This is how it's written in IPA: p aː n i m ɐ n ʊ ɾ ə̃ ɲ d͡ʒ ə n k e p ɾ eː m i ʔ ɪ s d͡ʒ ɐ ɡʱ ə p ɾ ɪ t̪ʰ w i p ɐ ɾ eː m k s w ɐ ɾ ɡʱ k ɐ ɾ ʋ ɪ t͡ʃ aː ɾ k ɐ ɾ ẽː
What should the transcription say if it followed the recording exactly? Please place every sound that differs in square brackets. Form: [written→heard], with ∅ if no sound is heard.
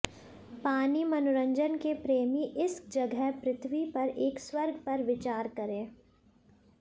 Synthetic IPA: p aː n i m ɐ n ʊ ɾ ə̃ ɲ d͡ʒ ə n k e p ɾ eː m i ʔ ɪ s d͡ʒ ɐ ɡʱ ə p ɾ ɪ t̪ʰ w i p ɐ ɾ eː [m→∅] k s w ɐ ɾ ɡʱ [k→p] ɐ ɾ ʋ ɪ t͡ʃ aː ɾ k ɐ ɾ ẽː